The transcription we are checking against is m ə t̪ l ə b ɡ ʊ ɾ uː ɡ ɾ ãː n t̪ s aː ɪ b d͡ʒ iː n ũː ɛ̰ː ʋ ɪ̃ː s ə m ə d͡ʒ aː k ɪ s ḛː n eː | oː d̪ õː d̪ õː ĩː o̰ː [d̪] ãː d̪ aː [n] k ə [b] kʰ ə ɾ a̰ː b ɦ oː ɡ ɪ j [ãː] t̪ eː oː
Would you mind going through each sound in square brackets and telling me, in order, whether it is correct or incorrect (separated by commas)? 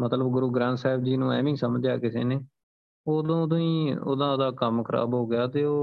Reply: correct, incorrect, incorrect, incorrect